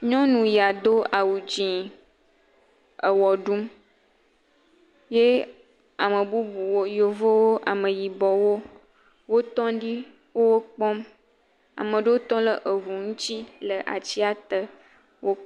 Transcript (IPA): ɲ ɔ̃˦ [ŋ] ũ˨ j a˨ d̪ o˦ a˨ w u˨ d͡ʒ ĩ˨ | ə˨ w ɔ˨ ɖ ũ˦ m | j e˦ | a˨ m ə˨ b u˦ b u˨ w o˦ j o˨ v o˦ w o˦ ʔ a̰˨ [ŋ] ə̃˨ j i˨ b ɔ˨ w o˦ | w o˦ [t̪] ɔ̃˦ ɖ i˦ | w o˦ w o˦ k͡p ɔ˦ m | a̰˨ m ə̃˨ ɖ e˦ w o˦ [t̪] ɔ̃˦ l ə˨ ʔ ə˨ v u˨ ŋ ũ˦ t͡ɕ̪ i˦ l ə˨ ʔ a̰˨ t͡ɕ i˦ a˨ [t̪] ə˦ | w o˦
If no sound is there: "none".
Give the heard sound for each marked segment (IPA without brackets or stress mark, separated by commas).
n, m, t̪, t̪, t̪